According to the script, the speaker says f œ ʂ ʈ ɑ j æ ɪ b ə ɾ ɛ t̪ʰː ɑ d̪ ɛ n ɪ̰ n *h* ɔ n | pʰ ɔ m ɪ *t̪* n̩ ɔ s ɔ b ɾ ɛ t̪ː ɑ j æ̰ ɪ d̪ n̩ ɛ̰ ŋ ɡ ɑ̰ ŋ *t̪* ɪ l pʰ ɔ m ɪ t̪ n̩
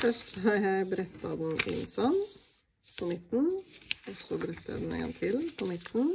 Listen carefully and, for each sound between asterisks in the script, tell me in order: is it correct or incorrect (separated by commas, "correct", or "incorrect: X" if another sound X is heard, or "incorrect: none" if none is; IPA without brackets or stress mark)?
incorrect: s, correct, incorrect: t̪ʰ